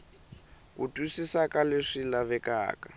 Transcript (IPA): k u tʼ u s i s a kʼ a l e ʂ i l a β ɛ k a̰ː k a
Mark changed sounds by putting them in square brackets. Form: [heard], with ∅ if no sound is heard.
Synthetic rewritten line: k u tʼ u s i s a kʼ a l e ʂ i l a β ɛ k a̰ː k a